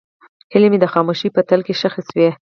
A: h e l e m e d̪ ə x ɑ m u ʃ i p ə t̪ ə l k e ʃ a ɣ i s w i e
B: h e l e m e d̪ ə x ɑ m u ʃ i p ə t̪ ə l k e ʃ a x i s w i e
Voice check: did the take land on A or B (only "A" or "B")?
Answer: B